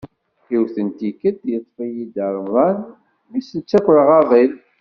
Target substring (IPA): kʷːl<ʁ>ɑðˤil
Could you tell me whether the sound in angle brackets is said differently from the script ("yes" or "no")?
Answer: no